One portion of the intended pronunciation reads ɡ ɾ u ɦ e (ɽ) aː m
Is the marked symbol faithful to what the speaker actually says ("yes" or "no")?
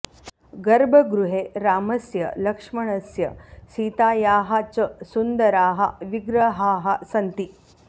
no